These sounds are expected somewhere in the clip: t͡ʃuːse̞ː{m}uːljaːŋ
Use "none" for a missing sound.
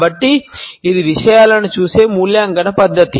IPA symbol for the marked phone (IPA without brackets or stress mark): m